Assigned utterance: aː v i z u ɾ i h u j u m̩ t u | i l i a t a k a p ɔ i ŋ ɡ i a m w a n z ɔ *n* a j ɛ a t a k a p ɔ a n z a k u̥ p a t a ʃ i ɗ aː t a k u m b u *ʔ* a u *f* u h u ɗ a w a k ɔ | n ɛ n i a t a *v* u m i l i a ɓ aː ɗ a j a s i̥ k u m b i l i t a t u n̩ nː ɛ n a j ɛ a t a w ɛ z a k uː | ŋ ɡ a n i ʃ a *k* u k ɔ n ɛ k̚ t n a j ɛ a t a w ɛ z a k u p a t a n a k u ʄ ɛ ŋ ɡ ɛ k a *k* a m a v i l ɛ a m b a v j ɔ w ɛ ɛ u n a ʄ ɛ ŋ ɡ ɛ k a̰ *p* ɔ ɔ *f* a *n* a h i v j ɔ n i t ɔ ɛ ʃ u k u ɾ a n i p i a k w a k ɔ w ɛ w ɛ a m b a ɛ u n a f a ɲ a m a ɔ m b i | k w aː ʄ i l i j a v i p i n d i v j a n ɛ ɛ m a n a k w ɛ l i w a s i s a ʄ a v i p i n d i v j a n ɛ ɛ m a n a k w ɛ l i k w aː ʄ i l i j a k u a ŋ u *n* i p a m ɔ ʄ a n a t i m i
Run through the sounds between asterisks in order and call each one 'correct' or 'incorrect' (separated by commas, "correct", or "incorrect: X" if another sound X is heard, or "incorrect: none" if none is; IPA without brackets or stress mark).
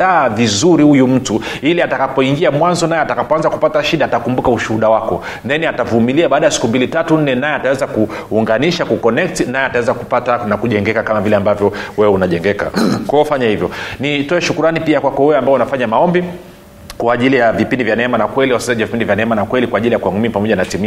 correct, incorrect: k, incorrect: ʃ, correct, correct, correct, incorrect: k, correct, incorrect: ɲ, incorrect: m